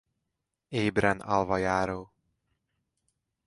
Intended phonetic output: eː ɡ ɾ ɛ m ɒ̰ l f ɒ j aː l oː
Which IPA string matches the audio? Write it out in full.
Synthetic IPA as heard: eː b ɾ ɛ n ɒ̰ l v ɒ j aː ɾ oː

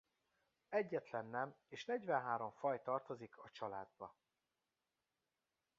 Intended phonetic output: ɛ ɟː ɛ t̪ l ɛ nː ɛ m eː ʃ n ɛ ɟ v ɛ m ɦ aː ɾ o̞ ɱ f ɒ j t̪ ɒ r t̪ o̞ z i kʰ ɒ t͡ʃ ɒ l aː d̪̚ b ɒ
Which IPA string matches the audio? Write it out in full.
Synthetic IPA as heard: ɛ ɟː ɛ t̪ l ɛ nː ɛ m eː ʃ n ɛ ɟ v ɛ n ɦ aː ɾ o̞ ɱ f ɒ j t̪ ɒ r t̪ o̞ z i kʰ ɒ t͡ʃ ɒ l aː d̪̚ b ɒ

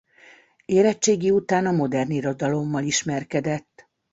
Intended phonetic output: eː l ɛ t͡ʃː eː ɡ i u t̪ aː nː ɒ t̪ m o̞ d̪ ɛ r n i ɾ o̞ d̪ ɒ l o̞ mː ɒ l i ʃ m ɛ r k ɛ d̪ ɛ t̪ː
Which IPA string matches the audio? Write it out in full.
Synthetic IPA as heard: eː ɾ ɛ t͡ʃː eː ɡ i u t̪ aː n ɒ m o̞ d̪ ɛ r n i ɾ o̞ d̪ ɒ l o̞ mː ɒ l i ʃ m ɛ r k ɛ d̪ ɛ t̪ː

